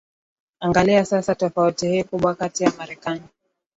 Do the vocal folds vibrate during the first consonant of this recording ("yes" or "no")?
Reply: yes